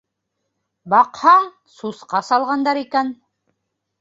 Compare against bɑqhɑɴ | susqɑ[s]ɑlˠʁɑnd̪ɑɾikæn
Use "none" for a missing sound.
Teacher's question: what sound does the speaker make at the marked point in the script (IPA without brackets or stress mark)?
s